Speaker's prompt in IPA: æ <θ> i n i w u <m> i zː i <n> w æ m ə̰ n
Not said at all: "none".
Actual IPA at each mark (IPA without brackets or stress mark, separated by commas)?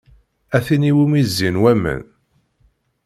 θ, m, n